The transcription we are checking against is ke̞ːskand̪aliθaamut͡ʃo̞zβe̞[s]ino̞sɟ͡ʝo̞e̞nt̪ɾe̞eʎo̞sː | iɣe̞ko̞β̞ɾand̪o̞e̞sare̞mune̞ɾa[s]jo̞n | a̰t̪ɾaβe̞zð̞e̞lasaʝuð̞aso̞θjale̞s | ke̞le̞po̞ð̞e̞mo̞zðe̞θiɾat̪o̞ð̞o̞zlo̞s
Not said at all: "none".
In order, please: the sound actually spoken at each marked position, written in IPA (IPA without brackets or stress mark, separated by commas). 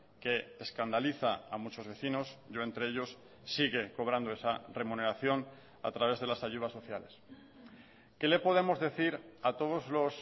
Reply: θ, θ